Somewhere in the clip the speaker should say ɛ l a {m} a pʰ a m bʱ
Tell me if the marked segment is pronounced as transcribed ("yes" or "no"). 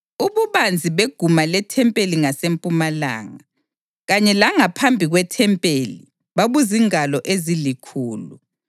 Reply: no